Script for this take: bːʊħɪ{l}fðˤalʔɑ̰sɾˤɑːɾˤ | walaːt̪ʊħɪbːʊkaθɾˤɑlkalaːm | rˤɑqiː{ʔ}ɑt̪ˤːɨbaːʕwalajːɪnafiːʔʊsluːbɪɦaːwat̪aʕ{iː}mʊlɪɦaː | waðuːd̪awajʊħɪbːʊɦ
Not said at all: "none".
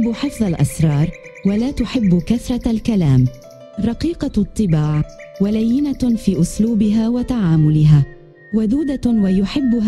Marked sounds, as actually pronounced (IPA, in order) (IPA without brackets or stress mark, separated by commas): none, q, aː